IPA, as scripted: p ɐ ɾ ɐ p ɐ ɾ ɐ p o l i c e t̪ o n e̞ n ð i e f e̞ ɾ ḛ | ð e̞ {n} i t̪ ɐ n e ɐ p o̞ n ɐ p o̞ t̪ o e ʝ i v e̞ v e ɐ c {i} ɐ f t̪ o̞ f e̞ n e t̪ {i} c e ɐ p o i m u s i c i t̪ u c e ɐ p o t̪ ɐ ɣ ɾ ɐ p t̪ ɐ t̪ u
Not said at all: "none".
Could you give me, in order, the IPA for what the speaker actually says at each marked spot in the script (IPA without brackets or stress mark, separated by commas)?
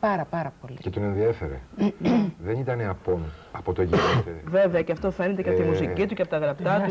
n, e, e